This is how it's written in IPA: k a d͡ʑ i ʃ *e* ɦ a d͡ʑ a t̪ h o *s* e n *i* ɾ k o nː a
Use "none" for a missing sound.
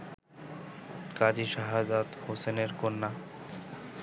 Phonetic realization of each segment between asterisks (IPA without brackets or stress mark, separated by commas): a, s, e